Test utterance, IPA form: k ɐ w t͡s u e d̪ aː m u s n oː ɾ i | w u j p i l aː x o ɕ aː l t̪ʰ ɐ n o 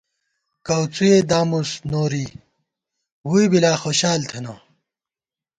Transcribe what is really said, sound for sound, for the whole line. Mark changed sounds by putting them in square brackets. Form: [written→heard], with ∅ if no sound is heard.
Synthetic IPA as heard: k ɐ w t͡s u e d̪ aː m u s n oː ɾ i | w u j [p→b] i l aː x o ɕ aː l t̪ʰ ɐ n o